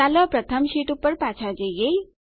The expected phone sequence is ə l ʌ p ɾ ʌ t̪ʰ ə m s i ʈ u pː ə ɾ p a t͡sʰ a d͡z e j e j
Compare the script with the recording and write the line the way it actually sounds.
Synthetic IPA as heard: a l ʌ p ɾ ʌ t̪ʰ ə m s i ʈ u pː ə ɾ p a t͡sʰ a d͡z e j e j